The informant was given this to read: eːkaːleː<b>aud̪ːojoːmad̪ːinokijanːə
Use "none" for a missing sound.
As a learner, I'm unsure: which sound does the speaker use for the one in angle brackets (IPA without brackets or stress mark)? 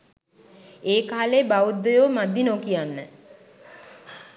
b